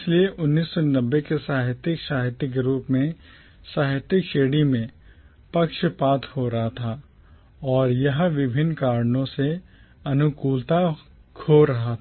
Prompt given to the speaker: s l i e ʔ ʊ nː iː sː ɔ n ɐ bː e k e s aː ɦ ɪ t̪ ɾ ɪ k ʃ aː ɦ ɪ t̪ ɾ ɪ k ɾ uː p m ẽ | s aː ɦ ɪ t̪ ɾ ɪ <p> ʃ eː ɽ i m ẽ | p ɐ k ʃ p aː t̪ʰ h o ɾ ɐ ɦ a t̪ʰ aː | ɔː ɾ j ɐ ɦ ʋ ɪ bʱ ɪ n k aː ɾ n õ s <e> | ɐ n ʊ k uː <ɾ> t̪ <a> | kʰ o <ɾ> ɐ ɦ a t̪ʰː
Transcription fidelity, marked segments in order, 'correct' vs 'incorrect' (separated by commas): incorrect, correct, incorrect, correct, correct